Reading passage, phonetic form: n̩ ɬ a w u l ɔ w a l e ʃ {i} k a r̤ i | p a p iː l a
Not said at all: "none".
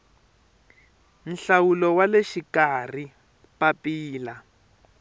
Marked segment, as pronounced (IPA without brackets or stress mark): i